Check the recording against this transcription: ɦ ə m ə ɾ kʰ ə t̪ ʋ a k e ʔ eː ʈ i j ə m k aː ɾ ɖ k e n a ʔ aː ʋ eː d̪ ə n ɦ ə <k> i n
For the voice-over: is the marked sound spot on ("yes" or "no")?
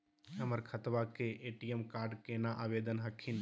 no